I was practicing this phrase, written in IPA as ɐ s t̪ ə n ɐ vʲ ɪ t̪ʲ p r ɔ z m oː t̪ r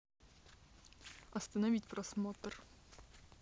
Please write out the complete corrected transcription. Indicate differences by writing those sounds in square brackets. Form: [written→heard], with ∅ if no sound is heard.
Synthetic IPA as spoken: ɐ s t̪ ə n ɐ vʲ [ɪ→i] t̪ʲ p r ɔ [z→s] m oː t̪ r